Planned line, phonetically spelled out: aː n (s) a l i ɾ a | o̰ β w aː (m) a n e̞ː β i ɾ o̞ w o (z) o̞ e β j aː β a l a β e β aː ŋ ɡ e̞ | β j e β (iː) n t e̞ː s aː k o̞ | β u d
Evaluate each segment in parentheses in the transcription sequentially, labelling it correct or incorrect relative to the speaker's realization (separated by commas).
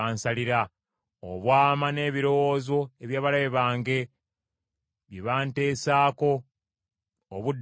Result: correct, correct, correct, incorrect